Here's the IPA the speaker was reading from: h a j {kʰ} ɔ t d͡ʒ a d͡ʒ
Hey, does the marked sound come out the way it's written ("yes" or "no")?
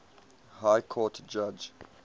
yes